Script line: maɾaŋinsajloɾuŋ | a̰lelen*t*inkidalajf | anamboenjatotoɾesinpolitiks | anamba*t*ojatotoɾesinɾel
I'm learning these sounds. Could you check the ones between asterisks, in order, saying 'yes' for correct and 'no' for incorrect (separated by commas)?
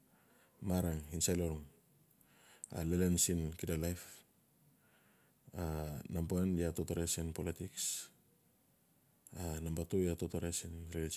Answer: no, yes